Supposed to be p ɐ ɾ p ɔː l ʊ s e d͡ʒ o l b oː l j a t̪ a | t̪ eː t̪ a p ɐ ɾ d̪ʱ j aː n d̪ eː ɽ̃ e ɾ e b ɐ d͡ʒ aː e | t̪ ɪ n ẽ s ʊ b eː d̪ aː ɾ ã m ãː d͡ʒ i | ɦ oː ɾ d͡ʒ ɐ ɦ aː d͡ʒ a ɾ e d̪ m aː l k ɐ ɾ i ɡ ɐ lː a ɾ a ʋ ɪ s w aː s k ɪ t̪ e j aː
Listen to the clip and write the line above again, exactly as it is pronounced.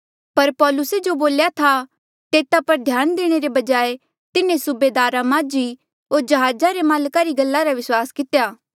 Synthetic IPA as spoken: p ɐ ɾ p ɔː l ʊ s e d͡ʒ o b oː l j a t̪ʰ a | t̪ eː t̪ a p ɐ ɾ d̪ʱ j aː n d̪ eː ɽ̃ e ɾ e b ɐ d͡ʒ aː e | t̪ ɪ n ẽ s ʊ b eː d̪ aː ɾ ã m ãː d͡ʒ i | ɦ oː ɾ d͡ʒ ɐ ɦ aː d͡ʒ a ɾ e m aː l k a ɾ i ɡ ɐ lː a ɾ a ʋ ɪ s w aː s k ɪ t̪ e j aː

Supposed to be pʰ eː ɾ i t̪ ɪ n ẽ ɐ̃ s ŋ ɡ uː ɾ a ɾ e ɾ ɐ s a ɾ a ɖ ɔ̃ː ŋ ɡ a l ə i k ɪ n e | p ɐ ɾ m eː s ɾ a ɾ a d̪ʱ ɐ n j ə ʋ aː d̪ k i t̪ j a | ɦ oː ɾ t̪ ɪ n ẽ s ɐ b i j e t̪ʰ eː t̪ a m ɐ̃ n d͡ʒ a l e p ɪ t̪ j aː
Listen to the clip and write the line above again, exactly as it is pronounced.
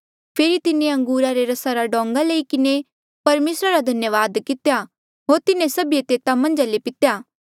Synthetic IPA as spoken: pʰ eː ɾ i t̪ ɪ n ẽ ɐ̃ ŋ ɡ uː ɾ a ɾ e ɾ ɐ s a ɾ a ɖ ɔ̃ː ŋ ɡ a l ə i k ɪ n e | p ɐ ɾ m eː s ɾ a ɾ a d̪ʱ ɐ n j ə ʋ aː d̪ k ɪ t̪ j a | ɦ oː ɾ t̪ ɪ n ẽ s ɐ b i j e t̪ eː t̪ a m ɐ̃ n d͡ʒ a l e p ɪ t̪ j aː

